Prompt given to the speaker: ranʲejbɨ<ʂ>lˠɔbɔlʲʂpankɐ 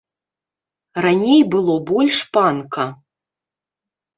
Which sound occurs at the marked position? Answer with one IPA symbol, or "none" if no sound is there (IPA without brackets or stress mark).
none